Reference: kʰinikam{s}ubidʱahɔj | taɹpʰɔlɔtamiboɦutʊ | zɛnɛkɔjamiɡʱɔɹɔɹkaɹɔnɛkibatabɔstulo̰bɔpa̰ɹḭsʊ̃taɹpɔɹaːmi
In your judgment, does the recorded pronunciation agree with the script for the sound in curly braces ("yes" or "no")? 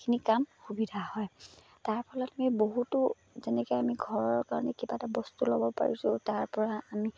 no